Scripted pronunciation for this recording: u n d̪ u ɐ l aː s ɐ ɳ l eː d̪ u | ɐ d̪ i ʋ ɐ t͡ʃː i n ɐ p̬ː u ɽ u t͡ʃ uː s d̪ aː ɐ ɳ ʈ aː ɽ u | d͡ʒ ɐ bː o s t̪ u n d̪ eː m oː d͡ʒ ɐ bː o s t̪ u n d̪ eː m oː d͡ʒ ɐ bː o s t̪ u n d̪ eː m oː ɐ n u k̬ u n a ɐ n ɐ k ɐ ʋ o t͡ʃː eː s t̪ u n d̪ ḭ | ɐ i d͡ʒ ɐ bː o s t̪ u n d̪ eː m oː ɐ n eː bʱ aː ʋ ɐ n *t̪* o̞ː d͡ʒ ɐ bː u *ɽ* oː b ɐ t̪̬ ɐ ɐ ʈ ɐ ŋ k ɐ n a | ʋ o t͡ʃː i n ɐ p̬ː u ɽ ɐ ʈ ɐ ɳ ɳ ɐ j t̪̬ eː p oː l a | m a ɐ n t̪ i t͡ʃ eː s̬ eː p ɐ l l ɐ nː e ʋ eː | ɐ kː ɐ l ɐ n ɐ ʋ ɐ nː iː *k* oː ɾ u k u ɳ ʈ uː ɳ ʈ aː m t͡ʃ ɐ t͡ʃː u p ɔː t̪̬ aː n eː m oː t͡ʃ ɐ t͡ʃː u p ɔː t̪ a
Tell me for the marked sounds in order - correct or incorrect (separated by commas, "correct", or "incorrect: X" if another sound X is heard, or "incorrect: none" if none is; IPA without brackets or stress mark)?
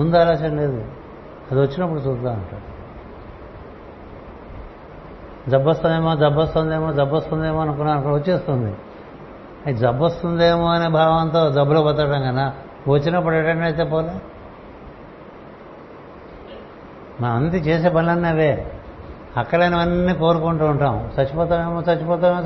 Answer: correct, incorrect: l, correct